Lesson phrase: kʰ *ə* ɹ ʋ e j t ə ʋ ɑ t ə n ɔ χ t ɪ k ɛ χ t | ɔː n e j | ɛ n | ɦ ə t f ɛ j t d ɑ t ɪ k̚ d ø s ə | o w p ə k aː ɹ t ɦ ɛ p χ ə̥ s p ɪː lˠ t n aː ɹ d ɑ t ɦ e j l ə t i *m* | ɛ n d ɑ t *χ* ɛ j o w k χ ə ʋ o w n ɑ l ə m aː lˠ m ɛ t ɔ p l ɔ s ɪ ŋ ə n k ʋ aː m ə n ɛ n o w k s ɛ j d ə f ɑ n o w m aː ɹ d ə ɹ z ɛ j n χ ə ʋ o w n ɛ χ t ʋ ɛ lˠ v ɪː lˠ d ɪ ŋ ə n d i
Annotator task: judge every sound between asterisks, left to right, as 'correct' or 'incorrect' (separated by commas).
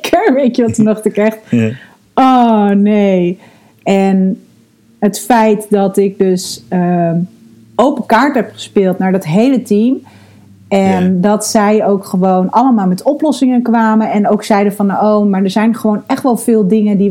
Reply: correct, correct, incorrect